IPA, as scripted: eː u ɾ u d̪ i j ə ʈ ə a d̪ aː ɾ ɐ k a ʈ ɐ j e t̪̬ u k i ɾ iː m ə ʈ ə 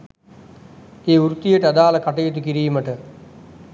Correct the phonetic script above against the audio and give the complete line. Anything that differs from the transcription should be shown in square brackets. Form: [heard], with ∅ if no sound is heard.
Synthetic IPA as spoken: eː u ɾ u [t̪] i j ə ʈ ə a d̪ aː [l] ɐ k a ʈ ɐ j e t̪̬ u k i ɾ iː m ə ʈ ə